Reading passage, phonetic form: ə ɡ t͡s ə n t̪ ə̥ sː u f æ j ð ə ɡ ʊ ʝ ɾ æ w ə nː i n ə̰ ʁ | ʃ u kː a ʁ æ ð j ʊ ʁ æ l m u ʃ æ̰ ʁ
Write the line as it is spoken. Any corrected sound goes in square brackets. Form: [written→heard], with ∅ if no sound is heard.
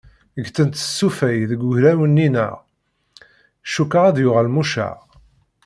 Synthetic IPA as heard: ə ɡ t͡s ə n t̪ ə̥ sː u f æ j ð ə ɡ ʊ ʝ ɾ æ w ə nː i n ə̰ ʁ | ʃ u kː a ʁ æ ð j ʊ ʁ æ l m u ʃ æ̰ ʁ